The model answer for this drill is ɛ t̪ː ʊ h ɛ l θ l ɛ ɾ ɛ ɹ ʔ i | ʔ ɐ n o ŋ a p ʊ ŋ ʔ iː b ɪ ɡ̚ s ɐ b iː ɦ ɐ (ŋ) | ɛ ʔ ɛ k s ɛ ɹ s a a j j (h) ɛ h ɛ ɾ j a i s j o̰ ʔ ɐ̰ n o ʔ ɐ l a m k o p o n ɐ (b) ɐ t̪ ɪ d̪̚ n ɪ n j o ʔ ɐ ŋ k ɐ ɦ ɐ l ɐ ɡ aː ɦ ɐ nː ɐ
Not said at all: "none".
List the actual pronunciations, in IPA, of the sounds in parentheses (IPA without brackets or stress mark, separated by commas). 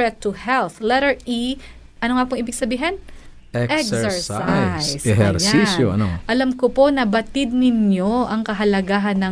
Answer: n, s, b